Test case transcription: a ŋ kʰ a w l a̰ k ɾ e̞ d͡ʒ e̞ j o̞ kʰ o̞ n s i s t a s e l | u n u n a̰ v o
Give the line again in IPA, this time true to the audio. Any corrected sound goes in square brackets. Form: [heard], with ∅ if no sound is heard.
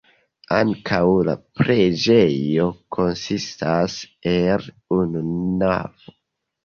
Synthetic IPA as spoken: a ŋ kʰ a w l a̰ [p] ɾ e̞ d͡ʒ e̞ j o̞ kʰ o̞ n s i s t a s e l | u n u n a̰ v o